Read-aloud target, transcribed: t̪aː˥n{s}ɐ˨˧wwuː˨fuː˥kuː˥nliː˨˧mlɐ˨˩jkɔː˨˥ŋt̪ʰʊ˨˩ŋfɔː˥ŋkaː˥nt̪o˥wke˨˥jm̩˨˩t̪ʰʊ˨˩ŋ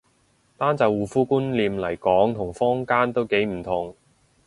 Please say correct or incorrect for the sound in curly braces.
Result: incorrect